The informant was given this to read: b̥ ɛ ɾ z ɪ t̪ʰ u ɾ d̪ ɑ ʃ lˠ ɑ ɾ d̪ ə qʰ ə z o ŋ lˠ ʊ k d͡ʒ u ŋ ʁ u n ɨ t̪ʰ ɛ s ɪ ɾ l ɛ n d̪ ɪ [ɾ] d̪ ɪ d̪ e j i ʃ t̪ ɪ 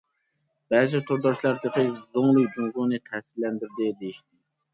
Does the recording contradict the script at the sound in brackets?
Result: no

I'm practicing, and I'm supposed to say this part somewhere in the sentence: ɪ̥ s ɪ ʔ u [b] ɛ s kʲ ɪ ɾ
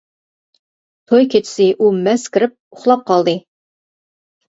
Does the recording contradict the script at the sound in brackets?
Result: yes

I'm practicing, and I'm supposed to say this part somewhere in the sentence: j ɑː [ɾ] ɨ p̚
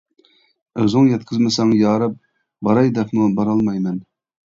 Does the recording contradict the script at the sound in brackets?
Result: no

